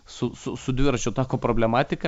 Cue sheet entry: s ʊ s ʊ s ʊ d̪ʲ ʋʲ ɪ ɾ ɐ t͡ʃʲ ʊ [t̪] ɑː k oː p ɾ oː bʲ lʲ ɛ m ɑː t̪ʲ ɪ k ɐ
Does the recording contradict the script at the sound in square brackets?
no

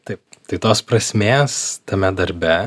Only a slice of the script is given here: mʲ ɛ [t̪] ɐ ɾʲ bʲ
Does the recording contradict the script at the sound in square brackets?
yes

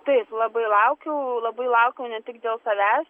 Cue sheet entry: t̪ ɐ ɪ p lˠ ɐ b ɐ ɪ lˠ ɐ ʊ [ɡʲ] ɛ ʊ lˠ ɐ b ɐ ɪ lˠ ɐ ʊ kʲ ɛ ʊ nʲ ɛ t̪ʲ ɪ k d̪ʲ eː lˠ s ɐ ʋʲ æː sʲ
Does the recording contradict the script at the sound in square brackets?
yes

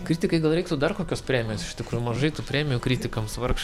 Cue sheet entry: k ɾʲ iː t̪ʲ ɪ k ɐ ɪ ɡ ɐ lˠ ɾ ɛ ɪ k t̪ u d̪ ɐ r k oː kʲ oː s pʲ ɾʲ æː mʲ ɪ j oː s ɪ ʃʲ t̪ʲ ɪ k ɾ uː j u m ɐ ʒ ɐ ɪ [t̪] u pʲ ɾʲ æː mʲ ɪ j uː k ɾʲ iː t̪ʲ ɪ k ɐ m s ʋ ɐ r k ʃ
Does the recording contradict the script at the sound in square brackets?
no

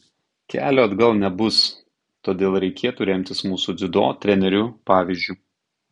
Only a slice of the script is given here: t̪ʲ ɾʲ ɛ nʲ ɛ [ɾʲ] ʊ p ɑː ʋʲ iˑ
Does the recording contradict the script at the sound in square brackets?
no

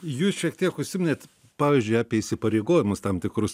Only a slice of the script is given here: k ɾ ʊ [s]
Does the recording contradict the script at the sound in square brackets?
no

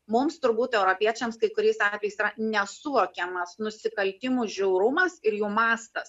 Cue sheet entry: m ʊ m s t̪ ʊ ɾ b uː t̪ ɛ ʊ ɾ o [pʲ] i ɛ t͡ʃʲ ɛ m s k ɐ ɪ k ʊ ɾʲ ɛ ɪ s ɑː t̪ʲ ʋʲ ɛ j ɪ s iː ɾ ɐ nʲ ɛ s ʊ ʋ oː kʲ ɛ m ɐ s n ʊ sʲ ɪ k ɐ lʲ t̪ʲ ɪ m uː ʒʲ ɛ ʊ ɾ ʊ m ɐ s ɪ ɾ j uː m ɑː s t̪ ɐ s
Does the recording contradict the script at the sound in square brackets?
no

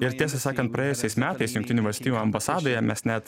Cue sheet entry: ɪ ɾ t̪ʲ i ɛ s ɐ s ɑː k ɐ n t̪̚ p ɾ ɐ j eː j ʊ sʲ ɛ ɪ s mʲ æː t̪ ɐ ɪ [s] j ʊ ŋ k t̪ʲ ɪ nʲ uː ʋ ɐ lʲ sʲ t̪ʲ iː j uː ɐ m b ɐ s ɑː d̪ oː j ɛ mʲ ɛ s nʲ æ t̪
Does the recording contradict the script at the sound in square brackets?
no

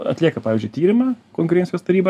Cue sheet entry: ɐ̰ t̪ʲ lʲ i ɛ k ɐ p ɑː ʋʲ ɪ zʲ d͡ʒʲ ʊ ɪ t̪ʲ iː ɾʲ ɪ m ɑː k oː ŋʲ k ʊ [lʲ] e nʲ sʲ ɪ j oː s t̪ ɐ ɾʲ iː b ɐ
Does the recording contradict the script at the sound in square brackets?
yes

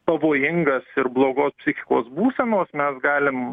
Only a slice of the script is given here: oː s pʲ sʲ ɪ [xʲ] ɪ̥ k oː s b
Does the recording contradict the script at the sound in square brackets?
no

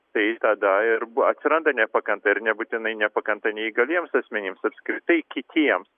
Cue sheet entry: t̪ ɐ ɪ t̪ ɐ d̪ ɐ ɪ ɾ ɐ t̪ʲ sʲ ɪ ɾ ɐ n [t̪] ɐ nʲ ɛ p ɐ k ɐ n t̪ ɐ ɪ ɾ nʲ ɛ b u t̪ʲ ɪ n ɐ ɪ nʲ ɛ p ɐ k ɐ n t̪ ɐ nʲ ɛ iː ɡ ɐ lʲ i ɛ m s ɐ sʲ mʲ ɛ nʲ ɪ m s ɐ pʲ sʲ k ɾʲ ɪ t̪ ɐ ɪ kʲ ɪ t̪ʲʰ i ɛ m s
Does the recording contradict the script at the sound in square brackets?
yes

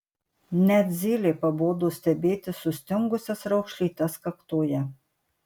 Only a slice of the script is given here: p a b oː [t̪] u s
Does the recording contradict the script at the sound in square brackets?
yes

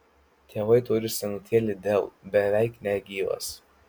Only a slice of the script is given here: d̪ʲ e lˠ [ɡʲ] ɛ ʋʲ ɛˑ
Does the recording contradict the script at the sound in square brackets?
yes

